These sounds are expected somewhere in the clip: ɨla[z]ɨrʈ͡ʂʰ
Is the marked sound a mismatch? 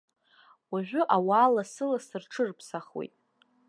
yes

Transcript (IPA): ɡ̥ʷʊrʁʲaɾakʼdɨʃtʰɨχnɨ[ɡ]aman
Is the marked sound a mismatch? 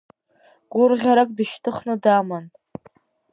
yes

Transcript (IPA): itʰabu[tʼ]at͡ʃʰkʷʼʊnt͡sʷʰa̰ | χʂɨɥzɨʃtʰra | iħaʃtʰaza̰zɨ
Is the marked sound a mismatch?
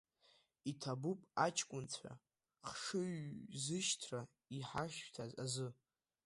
yes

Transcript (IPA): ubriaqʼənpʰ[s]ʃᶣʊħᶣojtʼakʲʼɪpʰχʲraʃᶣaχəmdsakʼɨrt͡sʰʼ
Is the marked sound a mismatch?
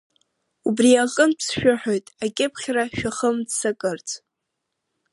no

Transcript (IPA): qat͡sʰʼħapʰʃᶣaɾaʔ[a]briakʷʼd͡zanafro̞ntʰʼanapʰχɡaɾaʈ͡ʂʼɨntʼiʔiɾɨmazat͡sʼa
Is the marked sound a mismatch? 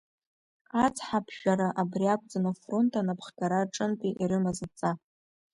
no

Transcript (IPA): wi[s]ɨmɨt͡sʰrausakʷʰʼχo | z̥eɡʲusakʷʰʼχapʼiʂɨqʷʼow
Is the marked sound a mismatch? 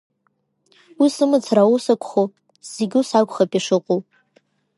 no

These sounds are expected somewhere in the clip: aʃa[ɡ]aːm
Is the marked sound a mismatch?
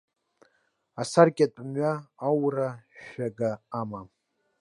no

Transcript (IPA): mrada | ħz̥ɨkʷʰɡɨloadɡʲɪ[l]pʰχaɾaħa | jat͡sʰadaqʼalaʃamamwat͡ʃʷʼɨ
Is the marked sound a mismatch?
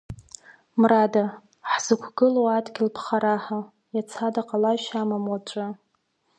no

